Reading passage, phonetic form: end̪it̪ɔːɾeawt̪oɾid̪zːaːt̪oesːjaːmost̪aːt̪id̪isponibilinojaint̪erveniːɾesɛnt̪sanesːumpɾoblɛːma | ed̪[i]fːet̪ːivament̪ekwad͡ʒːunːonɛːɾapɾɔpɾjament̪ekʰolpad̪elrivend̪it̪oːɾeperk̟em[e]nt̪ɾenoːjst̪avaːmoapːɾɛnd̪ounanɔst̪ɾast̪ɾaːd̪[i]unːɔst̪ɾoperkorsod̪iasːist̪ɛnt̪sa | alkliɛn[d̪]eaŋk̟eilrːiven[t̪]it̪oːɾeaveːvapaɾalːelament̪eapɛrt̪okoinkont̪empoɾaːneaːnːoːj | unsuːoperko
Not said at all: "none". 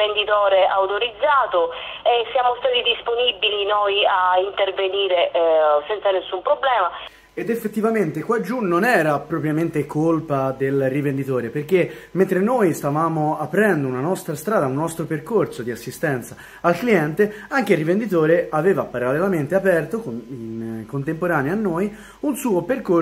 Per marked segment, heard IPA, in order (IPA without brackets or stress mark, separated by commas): e, e, a, t̪, d̪